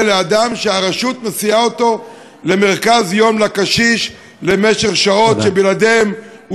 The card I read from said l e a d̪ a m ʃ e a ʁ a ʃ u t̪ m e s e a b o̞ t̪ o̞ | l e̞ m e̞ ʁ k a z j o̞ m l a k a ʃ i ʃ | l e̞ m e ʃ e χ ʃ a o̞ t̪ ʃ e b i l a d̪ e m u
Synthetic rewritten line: l e a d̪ a m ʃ e a ʁ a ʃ u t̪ m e s i a o̞ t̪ o̞ | l e̞ m e̞ ʁ k a z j o̞ m l a k a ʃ i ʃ | l e̞ m e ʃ e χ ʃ a o̞ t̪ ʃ e b i l a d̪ e m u